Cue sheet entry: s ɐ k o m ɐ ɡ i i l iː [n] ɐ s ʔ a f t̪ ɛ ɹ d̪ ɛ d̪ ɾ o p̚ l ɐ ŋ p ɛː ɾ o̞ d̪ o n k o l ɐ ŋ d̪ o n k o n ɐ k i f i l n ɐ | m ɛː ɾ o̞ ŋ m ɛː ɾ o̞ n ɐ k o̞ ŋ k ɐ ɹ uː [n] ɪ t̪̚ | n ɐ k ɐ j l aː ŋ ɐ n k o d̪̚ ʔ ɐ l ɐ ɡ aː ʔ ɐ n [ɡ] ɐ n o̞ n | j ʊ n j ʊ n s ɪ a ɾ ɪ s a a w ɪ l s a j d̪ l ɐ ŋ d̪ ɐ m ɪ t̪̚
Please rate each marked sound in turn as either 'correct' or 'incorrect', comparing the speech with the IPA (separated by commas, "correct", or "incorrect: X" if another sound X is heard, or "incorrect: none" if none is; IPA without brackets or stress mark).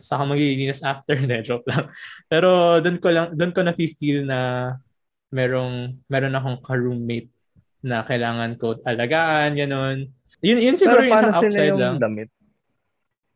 correct, incorrect: m, correct